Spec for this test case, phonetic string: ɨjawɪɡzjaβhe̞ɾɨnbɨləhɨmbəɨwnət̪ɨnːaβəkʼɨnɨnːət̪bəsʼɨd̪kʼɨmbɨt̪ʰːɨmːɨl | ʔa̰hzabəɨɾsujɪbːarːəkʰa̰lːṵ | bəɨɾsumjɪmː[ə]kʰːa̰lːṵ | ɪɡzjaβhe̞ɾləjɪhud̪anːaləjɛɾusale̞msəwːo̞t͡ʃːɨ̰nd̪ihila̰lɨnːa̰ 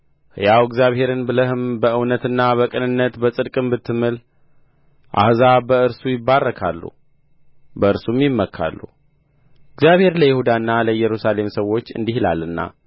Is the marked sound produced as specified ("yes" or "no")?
yes